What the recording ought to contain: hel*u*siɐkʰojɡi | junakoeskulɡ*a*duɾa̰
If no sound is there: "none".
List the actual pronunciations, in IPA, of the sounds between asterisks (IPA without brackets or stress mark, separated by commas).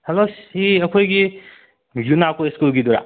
o, i